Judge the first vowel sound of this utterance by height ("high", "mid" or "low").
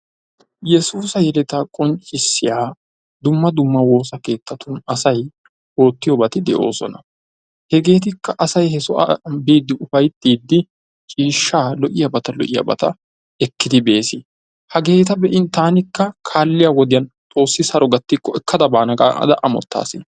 mid